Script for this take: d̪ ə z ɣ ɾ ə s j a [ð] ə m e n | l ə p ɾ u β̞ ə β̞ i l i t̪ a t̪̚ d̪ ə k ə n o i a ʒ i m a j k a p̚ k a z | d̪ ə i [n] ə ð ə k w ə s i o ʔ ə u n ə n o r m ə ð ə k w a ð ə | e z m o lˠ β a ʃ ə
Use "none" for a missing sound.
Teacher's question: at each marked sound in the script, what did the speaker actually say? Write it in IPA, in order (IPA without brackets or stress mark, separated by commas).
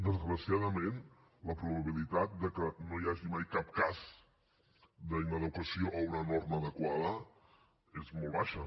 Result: ð, n